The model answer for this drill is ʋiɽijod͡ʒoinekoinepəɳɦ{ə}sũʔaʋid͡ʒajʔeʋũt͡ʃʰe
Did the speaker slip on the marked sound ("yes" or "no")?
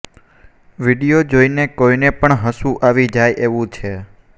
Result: no